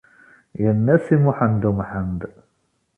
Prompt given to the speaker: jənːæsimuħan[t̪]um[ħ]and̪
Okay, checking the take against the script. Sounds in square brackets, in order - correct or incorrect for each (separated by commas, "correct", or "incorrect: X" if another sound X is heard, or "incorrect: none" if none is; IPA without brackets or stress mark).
incorrect: d̪, correct